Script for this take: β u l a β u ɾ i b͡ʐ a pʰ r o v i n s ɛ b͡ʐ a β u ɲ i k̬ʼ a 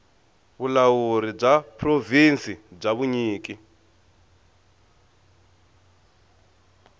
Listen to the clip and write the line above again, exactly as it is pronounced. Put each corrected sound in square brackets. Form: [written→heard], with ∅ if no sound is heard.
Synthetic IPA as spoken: β u l a [β→w] u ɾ i b͡ʐ a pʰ r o v i n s [ɛ→i] b͡ʐ a β u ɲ [i→iː] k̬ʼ [a→i]

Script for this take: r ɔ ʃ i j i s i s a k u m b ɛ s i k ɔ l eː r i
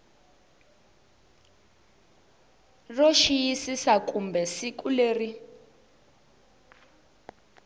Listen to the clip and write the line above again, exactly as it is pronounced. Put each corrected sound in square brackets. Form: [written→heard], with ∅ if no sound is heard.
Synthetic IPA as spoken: r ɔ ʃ i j i s i s a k u m b ɛ s i k [ɔ→u] l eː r i

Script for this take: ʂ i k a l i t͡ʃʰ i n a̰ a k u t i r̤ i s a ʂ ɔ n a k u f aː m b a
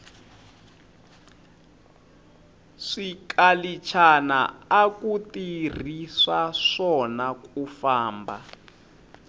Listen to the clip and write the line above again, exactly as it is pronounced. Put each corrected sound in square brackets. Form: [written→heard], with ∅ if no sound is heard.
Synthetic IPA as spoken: ʂ i k a l i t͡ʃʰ [i→a] n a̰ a k u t i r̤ i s a ʂ ɔ n a k u f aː m b a

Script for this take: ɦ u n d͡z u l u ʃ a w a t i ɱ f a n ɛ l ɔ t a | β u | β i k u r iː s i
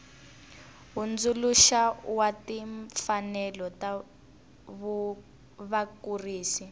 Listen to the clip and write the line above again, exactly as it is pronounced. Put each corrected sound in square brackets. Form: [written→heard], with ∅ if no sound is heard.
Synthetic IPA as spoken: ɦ u n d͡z u l u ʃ a w a t i ɱ f a n ɛ l ɔ t a | β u | β [i→a] k u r iː s i

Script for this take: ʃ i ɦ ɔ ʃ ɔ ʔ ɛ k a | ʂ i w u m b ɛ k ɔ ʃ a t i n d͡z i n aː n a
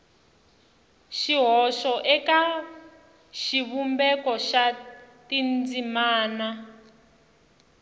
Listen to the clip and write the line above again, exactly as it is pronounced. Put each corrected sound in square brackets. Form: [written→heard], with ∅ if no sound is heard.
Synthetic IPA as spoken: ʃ i ɦ ɔ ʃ ɔ ʔ ɛ k a | [ʂ→ʃ] i [w→β] u m b ɛ k ɔ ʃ a t i n d͡z i [n→m] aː n a

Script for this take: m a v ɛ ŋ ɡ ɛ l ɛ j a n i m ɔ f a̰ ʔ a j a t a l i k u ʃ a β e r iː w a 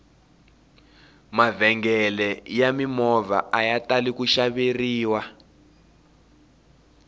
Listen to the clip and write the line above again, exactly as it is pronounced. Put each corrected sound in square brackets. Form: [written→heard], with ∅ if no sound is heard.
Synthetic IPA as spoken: m a v ɛ ŋ ɡ ɛ l ɛ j a [n→m] i m ɔ [f→v] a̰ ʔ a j a t a l i k u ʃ a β e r iː w a

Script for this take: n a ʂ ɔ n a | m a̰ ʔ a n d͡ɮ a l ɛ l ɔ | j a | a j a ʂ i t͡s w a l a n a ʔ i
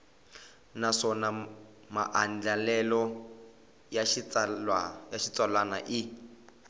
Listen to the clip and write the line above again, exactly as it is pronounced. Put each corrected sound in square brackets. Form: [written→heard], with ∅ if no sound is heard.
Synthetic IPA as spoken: n a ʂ ɔ n a | m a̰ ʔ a n d͡ɮ a l ɛ l ɔ | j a | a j a [ʂ→ʃ] i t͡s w a l a n a ʔ i

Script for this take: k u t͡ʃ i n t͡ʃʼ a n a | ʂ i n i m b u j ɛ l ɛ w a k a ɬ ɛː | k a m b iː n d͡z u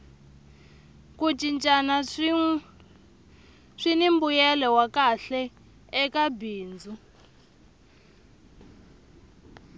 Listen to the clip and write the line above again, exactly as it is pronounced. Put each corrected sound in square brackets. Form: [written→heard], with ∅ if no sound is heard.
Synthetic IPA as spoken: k u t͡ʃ i n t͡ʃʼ a n a | ʂ i n i m b u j ɛ l ɛ w a k a ɬ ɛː | k a [m→∅] b iː n d͡z u

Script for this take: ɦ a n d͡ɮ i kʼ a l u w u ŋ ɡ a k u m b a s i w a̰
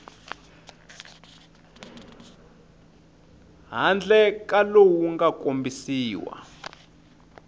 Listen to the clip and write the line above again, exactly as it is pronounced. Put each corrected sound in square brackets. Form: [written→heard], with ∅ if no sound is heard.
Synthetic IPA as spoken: ɦ a n d͡ɮ [i→ɛ] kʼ a l [u→o] w u ŋ ɡ a k [u→o] m b [a→i] s [i→iː] w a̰

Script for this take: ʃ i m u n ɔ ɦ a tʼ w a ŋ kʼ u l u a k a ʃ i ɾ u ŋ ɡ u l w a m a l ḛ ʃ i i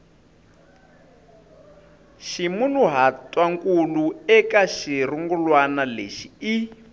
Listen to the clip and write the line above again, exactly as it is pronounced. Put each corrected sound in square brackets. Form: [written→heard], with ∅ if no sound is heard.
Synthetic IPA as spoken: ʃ i m u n [ɔ→u] ɦ a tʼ w a ŋ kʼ u l u [a→ɛ] k a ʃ i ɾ u ŋ ɡ u l w a [m→n] a l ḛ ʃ i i

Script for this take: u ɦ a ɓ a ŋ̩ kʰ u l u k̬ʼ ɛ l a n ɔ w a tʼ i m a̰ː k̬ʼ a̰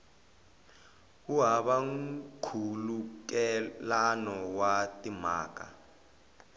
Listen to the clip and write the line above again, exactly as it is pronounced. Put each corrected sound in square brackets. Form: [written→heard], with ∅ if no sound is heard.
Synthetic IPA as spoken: u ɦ a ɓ a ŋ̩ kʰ u l u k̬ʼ ɛ l a n ɔ w a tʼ i m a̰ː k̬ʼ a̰

